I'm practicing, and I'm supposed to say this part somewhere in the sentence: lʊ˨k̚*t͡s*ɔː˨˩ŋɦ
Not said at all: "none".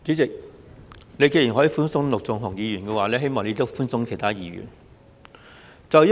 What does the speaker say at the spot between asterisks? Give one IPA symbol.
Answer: t͡s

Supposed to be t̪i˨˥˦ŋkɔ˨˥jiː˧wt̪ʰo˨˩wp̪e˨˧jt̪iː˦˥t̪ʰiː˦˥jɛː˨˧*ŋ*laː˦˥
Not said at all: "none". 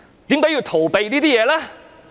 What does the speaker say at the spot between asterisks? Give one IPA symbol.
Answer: none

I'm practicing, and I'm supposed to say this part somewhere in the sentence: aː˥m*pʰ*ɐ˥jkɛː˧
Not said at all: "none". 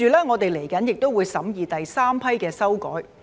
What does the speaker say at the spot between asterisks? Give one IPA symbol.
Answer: pʰ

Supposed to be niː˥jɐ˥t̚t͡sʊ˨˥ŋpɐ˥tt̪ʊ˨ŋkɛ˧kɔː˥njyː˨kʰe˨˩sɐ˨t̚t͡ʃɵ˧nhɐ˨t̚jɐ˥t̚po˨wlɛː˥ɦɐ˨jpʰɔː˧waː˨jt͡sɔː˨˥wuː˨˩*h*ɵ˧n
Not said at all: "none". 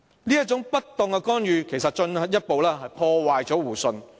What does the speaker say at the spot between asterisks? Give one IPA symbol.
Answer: s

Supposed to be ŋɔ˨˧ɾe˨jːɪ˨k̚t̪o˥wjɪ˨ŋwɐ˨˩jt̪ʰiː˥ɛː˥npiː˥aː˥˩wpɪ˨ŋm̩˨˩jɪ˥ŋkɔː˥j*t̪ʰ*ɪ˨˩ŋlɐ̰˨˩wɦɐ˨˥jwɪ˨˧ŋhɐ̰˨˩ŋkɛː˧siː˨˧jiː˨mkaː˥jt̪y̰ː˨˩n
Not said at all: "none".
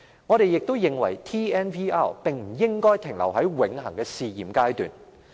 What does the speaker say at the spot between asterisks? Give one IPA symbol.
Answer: t̪ʰ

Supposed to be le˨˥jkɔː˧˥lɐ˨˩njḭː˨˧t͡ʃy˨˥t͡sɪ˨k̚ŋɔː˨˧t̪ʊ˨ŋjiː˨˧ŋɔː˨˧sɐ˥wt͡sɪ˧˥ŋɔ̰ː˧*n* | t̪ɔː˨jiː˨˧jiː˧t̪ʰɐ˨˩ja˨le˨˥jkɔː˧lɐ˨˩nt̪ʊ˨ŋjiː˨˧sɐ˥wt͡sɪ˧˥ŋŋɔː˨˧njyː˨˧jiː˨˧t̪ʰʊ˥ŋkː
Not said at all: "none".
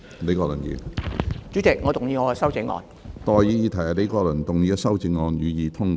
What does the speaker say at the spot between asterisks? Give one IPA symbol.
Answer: n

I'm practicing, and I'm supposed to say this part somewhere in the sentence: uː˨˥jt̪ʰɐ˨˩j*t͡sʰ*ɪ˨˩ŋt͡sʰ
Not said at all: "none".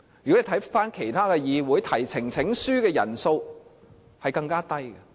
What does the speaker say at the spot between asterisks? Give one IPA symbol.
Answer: t͡sʰ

